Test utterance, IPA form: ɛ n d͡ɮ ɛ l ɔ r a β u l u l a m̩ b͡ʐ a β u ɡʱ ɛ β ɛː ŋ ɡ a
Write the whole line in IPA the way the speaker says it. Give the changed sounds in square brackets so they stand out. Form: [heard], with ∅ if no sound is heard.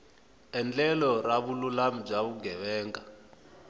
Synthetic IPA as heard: ɛ n d͡ɮ ɛ l ɔ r a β u l u l a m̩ b͡ʐ a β u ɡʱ ɛ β ɛː ŋ ɡ a